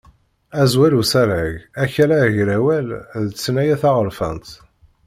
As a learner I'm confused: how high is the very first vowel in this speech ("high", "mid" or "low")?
low